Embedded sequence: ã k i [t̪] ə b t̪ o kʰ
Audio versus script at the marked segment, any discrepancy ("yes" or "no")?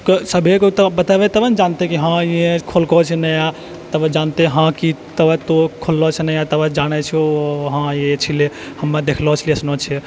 no